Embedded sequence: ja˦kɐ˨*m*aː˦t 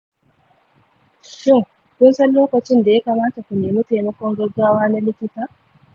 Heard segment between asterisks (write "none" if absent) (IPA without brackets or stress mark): m